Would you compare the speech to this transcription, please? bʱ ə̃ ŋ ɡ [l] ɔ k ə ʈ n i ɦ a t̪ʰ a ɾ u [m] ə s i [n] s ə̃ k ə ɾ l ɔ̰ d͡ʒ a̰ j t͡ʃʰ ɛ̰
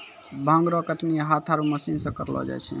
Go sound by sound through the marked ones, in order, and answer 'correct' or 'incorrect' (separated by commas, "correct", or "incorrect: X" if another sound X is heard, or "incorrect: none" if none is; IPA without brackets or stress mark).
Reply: incorrect: ɾ, correct, correct